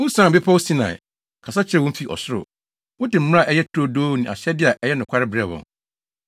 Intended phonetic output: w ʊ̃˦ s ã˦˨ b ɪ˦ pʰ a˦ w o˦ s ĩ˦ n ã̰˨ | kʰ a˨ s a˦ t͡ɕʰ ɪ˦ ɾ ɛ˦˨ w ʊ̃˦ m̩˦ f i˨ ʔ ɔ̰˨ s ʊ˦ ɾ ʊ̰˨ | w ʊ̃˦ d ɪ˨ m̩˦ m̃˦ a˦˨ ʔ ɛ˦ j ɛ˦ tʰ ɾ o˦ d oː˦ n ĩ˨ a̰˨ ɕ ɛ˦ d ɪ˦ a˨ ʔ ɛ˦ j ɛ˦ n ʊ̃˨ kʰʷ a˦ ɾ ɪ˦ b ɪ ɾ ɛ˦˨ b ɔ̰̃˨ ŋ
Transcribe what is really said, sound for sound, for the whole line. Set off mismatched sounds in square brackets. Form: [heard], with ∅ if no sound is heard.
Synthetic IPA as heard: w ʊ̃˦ s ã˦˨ b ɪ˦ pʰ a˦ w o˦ s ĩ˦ n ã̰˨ | kʰ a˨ s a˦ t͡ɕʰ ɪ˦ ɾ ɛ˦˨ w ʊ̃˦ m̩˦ f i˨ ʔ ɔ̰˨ s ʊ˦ ɾ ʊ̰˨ | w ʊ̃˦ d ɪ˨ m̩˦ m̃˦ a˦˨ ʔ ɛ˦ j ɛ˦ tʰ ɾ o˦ d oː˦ n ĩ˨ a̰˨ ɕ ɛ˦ d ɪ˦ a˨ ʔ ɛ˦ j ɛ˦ n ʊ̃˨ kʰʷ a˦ ɾ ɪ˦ b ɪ ɾ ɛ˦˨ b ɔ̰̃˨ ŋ